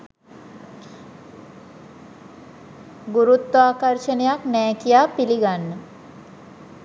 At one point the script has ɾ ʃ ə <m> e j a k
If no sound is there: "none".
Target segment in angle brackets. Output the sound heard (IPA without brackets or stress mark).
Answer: n